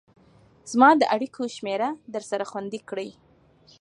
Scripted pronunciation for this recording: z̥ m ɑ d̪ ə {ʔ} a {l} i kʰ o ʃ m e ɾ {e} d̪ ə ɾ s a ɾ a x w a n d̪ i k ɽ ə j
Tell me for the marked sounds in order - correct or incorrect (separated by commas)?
correct, incorrect, incorrect